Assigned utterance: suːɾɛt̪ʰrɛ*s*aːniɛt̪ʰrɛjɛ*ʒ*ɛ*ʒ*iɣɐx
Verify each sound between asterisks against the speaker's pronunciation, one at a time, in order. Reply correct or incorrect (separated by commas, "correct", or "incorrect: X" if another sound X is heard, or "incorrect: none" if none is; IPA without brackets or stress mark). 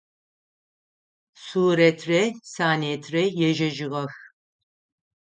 correct, correct, correct